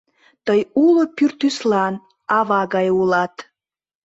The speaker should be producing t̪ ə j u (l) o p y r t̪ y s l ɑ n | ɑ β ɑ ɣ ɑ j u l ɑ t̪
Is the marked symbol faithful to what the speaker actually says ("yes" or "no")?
yes